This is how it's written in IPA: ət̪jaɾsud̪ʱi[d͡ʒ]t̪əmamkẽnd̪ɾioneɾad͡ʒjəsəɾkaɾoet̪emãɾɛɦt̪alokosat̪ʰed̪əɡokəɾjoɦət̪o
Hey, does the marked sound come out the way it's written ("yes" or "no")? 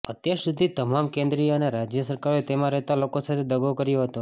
no